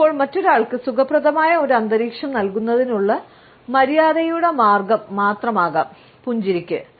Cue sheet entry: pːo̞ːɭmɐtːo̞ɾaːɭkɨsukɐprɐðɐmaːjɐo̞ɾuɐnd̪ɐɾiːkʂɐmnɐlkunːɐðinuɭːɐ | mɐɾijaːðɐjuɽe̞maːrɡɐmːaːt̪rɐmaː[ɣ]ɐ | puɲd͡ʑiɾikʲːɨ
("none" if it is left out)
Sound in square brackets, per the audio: ɣ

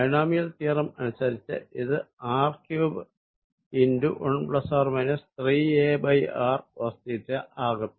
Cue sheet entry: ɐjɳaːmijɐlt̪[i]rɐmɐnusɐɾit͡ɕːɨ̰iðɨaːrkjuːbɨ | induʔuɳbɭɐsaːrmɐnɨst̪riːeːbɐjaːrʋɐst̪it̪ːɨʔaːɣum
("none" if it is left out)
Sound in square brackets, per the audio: iː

